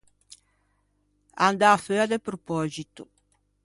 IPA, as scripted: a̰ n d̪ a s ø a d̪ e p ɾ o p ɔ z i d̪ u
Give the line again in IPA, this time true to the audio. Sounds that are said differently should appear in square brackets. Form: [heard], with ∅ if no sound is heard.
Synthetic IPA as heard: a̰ n d̪ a [f] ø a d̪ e p ɾ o p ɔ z i [t̪] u

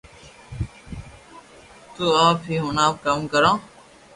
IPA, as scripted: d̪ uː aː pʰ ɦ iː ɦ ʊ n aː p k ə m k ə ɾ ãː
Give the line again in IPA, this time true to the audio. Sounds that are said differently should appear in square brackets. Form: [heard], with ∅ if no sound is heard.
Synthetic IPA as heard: [t̪] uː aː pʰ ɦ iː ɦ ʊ n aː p k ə m k ə ɾ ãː

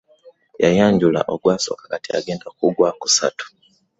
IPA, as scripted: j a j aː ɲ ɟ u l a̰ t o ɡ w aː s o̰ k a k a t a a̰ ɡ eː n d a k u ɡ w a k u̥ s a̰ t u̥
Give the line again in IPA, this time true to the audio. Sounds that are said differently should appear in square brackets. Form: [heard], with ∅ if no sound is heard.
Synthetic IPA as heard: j a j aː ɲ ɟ u l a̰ [ʔ] o ɡ w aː s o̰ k a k a t [i] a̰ ɡ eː n d a k u ɡ w a k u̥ s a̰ t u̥

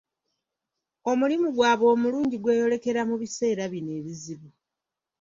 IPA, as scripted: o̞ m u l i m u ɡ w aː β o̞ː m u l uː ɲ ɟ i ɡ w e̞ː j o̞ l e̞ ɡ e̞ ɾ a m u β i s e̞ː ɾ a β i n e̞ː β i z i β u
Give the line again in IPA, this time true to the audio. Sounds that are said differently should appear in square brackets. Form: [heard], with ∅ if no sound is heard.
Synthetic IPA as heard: o̞ m u l i m u ɡ w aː β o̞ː m u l uː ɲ ɟ i ɡ w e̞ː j o̞ l e̞ [k] e̞ ɾ a m u β i s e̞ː ɾ a β i n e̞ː β i z i β u

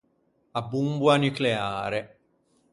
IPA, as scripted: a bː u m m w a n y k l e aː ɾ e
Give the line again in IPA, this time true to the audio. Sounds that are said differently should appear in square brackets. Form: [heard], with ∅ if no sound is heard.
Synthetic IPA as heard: a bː u m [b] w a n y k l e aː ɾ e

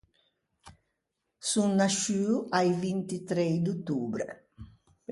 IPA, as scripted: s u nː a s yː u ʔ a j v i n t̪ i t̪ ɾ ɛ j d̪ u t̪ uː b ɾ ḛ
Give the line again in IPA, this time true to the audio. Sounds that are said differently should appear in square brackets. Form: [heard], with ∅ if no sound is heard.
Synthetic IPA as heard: s u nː a [ʃ] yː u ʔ a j v i n t̪ i t̪ ɾ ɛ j d̪ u t̪ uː b ɾ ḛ

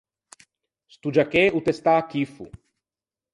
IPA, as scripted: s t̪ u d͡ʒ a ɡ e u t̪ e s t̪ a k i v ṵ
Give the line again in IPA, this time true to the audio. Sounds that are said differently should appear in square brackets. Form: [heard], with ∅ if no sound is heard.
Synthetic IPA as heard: s t̪ u d͡ʒ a [k] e u t̪ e s t̪ a k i [f] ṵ

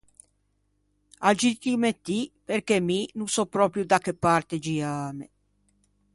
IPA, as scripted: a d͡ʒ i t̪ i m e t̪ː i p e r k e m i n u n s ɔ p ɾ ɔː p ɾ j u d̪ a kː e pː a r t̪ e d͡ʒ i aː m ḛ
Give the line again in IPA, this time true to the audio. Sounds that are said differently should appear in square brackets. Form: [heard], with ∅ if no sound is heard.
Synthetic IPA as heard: a d͡ʒ i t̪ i m e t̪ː i p e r k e m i n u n s ɔ p ɾ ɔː p ɾ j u d̪ a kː e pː a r t̪ e d͡ʒ i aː m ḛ

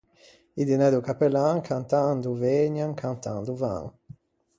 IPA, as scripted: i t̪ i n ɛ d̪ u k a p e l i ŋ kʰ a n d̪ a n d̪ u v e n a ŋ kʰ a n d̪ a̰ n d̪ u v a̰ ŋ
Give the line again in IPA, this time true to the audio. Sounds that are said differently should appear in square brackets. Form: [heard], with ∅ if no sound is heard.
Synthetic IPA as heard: i [d̪] i n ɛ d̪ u k a p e l [a] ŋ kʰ a n [t̪] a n d̪ u v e [ɲ] a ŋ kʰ a n [t̪] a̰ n d̪ u v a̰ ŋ

